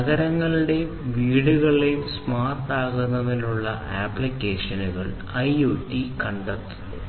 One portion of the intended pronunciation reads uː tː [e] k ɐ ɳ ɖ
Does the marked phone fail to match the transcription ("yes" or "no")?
yes